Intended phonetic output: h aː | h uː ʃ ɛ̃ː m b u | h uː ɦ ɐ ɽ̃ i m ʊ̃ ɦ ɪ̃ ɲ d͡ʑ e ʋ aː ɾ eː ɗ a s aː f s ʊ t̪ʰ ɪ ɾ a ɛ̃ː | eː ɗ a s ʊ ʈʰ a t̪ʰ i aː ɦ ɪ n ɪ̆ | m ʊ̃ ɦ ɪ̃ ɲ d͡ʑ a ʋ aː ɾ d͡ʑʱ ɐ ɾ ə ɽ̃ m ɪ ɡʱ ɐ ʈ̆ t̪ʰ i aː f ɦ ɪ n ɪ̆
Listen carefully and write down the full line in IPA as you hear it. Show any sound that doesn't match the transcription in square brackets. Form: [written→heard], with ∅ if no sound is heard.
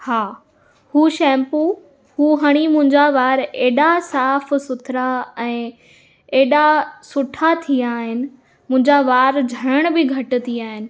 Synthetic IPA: h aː | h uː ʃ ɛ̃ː m [b→p] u | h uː ɦ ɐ ɽ̃ i m ʊ̃ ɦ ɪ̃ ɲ d͡ʑ [e→a] ʋ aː ɾ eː ɗ a s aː f s ʊ t̪ʰ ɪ ɾ a ɛ̃ː | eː ɗ a s ʊ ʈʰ a t̪ʰ i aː ɦ ɪ n ɪ̆ | m ʊ̃ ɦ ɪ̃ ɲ d͡ʑ a ʋ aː ɾ d͡ʑʱ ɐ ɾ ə ɽ̃ [m→b] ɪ ɡʱ ɐ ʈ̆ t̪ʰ i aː [f→∅] ɦ ɪ n ɪ̆